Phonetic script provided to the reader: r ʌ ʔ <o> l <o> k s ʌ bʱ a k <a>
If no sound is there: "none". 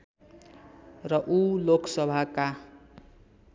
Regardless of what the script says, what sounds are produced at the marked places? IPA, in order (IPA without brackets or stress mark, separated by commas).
u, o, a